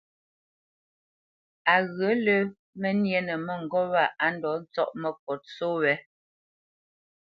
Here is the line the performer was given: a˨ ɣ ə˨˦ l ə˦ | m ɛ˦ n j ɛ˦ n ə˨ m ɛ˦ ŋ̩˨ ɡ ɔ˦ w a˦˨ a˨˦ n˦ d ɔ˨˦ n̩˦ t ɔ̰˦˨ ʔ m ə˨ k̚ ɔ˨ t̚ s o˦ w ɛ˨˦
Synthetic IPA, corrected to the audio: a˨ ɣ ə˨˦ l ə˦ | m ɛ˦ n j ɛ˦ n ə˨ m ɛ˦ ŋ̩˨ ɡ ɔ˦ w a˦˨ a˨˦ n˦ d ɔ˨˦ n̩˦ t͡s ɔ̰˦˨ ʔ m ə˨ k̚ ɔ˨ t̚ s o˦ w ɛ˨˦